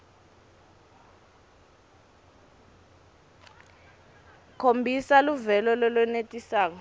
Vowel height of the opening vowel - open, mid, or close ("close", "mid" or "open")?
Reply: mid